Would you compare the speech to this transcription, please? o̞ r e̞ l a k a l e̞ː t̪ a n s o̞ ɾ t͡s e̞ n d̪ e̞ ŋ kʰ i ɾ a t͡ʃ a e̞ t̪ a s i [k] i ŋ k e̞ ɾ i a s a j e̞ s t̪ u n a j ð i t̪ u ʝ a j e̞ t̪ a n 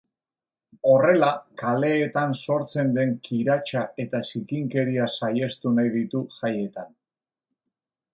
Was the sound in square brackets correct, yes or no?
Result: yes